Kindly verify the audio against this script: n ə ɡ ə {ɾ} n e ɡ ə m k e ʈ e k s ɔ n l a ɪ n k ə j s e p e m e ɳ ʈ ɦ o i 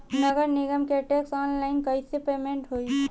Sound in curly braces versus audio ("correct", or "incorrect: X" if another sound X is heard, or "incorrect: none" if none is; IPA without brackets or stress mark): correct